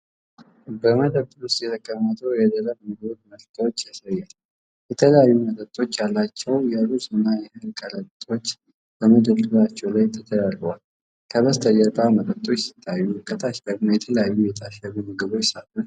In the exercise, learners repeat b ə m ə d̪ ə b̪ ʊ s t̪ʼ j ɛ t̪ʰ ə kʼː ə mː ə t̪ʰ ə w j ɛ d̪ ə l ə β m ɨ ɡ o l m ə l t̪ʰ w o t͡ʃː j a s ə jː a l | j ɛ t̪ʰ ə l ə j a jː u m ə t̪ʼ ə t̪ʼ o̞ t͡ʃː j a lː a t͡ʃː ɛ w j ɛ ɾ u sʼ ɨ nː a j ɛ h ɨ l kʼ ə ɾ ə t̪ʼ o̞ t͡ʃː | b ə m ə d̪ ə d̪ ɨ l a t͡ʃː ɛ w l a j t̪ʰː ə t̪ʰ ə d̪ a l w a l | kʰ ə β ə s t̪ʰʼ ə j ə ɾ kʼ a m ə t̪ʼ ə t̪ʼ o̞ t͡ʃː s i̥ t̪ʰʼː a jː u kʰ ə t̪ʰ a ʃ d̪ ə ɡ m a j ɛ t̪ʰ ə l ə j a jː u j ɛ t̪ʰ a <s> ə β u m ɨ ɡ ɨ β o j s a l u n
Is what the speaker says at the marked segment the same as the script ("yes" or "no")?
no